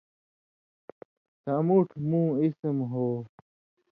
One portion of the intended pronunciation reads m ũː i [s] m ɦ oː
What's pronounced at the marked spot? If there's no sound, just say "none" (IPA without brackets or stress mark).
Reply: s